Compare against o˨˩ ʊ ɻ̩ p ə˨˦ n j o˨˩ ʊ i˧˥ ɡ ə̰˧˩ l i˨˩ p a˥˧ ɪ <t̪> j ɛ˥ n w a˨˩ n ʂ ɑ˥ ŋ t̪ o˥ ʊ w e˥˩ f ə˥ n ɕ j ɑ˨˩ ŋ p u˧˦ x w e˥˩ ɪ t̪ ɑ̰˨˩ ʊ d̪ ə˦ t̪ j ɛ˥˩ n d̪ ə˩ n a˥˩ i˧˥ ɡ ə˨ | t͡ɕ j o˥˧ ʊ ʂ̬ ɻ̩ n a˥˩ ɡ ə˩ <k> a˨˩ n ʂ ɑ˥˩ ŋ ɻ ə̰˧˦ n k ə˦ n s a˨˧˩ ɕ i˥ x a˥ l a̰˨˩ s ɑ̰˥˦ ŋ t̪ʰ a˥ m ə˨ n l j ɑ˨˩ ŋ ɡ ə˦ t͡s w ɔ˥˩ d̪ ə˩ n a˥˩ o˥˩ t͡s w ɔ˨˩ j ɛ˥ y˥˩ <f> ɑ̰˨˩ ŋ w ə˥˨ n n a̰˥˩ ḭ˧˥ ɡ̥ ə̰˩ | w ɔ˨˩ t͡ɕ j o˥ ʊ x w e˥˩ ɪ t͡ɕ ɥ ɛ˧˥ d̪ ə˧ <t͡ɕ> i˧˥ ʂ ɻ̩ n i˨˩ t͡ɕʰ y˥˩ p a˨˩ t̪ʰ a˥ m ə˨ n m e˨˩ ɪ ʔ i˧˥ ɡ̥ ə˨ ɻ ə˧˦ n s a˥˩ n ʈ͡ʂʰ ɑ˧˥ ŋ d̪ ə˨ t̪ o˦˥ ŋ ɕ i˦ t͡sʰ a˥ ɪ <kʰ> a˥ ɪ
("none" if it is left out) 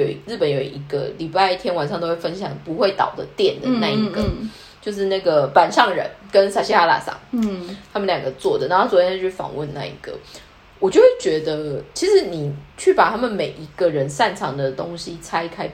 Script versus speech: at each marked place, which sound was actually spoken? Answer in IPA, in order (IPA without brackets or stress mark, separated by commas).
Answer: t̪ʰ, p, f, t͡ɕʰ, kʰ